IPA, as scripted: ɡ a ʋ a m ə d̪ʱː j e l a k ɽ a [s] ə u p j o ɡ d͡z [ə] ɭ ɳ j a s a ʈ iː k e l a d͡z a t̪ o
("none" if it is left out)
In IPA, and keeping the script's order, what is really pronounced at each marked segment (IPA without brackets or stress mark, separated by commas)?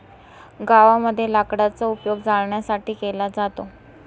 t͡s, a